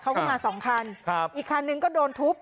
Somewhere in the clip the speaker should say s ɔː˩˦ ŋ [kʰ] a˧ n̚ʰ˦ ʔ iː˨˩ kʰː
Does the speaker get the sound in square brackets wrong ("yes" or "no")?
no